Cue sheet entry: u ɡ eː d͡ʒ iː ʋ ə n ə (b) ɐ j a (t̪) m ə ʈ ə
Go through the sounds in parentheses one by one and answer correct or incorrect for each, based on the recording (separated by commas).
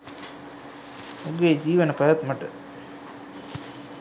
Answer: incorrect, correct